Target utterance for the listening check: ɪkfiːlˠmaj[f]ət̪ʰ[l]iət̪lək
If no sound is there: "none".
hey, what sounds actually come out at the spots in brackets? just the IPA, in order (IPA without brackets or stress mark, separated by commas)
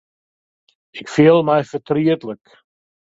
f, ɾ